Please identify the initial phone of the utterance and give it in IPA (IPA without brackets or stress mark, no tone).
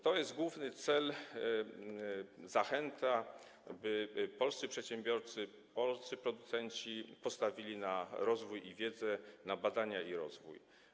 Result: t̪